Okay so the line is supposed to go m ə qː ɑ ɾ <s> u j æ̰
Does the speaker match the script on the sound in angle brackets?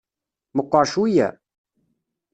no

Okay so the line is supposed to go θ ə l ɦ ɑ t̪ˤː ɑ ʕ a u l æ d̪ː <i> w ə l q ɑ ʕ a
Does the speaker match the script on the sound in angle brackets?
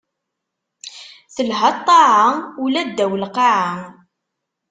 no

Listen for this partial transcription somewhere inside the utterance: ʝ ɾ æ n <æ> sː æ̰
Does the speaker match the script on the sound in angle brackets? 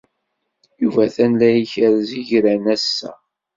yes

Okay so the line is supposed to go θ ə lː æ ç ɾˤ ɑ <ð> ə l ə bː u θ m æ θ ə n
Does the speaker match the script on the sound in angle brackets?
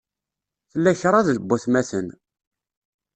yes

